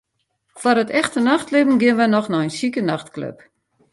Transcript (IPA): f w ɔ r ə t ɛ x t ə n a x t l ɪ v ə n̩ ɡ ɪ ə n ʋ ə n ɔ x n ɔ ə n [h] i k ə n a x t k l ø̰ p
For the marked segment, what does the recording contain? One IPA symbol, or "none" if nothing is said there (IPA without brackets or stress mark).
s